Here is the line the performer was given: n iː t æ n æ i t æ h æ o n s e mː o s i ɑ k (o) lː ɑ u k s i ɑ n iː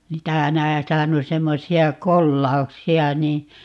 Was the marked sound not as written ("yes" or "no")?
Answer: no